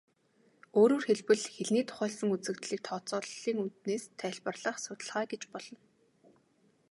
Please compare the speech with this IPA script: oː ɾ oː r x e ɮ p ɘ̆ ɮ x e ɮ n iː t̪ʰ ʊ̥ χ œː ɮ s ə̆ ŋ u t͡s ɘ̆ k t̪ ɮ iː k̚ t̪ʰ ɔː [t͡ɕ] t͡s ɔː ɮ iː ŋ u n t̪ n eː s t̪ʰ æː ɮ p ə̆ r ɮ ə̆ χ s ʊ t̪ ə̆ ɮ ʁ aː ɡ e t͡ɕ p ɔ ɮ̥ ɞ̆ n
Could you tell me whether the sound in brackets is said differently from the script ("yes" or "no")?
yes